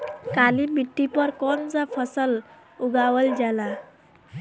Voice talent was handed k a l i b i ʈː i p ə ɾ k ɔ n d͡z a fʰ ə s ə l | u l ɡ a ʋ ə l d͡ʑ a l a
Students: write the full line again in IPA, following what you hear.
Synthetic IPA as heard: k a l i b i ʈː i p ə ɾ k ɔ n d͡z a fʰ ə s ə l | u ɡ a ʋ ə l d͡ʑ a l a